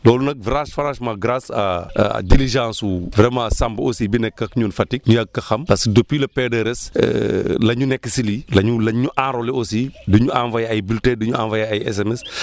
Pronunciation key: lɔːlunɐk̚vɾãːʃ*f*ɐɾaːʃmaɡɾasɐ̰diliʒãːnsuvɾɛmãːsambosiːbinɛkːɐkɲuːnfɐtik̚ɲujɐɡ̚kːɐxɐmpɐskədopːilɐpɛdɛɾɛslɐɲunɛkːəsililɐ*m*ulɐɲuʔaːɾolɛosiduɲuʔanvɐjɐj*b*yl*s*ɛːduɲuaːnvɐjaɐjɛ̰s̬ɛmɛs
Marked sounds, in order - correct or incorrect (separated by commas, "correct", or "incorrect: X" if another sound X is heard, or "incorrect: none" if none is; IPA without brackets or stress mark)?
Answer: correct, incorrect: ɲ, correct, incorrect: t